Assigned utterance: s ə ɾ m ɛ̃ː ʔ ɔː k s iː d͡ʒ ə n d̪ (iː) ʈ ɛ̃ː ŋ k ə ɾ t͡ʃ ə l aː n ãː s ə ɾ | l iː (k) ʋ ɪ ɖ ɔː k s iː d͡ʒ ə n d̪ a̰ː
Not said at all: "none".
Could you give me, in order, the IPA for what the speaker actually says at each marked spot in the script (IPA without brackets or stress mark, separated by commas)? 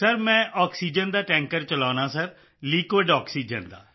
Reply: aː, k